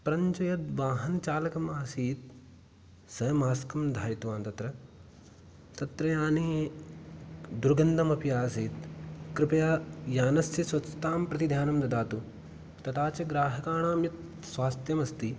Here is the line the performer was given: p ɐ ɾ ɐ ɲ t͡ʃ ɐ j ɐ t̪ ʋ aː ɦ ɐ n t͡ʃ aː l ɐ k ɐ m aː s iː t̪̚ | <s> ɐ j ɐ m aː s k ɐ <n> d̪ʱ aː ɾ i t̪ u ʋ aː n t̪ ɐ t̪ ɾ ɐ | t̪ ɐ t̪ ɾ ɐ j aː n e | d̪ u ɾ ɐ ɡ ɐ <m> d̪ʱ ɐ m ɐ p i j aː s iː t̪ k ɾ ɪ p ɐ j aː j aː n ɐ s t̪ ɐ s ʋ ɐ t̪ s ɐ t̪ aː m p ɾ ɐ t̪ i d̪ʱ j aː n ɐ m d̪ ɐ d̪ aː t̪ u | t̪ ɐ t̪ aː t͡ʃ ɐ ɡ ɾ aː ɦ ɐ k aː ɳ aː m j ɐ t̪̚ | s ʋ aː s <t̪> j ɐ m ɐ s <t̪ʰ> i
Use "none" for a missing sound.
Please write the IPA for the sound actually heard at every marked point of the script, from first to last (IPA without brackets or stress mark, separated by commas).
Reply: s, m, n, t̪, t̪